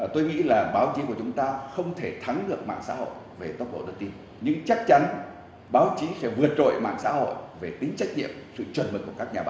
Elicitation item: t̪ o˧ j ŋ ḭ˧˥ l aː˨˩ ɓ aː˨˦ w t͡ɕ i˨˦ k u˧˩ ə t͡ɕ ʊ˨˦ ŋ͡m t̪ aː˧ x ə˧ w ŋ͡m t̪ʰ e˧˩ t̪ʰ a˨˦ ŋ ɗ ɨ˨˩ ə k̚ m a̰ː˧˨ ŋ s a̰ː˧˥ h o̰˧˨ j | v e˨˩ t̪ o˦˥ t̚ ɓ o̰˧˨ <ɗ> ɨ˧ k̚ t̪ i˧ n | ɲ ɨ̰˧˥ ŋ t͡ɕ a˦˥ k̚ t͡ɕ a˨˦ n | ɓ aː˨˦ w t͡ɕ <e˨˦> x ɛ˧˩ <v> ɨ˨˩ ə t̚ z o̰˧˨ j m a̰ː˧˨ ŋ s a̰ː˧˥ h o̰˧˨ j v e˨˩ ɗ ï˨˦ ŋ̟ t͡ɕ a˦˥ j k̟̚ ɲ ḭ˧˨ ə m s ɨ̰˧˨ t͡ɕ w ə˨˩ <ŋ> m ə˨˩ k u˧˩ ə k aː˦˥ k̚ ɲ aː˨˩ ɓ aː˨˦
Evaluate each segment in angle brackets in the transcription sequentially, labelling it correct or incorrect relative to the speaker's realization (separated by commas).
correct, incorrect, correct, incorrect